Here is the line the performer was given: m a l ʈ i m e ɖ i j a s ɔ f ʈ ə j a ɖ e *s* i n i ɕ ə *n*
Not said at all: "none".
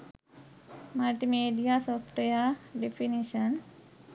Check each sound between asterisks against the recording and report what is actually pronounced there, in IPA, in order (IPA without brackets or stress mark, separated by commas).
f, n